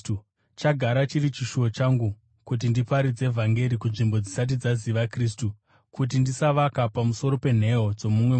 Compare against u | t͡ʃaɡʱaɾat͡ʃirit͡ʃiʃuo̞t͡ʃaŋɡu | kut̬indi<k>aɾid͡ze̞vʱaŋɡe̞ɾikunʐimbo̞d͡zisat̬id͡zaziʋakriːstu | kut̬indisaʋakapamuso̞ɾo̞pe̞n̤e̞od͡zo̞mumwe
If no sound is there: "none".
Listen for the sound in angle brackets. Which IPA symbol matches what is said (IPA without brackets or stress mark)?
p